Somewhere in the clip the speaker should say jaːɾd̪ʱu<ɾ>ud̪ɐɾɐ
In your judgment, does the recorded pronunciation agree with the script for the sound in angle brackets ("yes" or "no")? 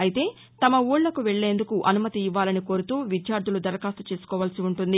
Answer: no